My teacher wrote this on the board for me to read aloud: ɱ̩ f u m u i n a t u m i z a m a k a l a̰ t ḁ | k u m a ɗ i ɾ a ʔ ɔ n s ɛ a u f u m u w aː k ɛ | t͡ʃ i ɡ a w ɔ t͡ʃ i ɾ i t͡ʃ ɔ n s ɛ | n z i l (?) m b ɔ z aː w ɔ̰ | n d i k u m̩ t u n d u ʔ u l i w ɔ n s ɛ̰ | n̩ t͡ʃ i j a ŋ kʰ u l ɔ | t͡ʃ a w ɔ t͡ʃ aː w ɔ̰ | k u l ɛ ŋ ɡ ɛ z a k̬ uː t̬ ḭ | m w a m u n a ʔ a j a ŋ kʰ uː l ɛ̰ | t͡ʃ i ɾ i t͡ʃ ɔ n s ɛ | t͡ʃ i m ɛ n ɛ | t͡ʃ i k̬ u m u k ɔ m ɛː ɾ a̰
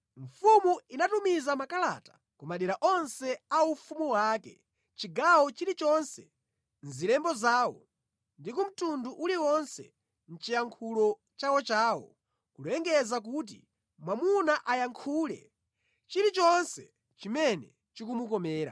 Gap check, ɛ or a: ɛ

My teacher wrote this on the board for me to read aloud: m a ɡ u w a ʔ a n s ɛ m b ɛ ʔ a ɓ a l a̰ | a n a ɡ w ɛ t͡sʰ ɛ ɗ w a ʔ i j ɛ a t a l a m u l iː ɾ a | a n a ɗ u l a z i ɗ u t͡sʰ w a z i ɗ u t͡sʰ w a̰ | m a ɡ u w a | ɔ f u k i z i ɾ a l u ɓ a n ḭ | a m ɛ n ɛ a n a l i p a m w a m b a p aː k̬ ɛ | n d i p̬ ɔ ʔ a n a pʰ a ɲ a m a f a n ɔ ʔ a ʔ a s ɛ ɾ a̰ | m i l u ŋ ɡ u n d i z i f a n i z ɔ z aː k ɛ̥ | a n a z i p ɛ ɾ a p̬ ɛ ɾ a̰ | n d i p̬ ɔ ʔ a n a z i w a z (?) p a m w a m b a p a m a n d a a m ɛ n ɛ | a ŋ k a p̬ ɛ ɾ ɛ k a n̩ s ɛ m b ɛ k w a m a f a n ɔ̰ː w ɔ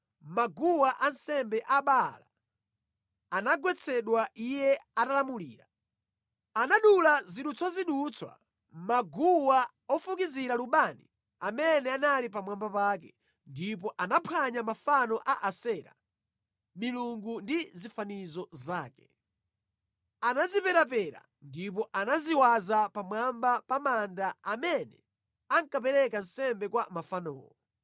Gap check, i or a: a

